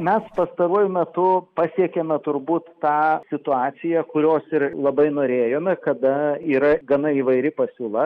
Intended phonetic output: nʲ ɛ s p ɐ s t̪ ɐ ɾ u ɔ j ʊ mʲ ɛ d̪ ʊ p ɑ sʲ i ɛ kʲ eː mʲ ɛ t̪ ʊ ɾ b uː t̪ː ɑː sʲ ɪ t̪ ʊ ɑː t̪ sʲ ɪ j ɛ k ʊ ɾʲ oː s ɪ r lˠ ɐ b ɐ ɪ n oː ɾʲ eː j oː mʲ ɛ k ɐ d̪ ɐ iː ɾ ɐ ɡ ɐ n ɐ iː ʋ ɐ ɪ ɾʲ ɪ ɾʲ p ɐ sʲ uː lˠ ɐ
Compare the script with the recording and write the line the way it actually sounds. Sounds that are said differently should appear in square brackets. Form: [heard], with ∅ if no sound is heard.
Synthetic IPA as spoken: [mʲ] ɛ s p ɐ s t̪ ɐ ɾ u ɔ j ʊ mʲ ɛ [t̪] ʊ p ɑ sʲ i ɛ kʲ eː mʲ ɛ t̪ ʊ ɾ b uː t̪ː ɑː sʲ ɪ t̪ ʊ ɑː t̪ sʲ ɪ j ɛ k ʊ ɾʲ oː s ɪ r lˠ ɐ b ɐ ɪ n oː ɾʲ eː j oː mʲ ɛ k ɐ d̪ ɐ iː ɾ ɐ ɡ ɐ n ɐ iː ʋ ɐ ɪ ɾʲ ɪ [∅] p ɐ sʲ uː lˠ ɐ